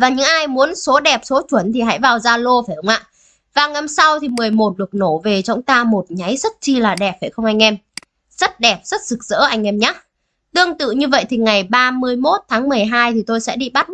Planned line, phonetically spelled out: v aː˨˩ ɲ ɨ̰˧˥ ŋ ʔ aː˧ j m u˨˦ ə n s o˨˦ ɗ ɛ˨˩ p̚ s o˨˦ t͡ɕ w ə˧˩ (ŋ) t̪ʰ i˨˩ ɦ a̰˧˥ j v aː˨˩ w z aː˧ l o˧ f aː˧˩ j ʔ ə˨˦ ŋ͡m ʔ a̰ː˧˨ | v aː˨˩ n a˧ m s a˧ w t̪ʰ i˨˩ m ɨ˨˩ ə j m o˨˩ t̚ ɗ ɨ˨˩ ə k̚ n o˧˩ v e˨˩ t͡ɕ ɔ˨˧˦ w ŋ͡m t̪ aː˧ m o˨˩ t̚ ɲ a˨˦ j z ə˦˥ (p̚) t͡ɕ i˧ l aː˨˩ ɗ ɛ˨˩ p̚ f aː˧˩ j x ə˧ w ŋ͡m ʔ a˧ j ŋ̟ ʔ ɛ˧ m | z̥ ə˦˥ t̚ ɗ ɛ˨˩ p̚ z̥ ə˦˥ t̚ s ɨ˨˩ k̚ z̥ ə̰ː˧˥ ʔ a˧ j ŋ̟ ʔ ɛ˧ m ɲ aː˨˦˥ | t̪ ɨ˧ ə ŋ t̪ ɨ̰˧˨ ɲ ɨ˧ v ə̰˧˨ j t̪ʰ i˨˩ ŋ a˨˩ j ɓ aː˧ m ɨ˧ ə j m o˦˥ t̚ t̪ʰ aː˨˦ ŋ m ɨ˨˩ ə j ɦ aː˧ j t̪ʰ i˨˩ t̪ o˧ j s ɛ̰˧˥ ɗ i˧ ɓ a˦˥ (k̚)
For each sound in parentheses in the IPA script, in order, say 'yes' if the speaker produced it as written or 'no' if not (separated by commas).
no, no, no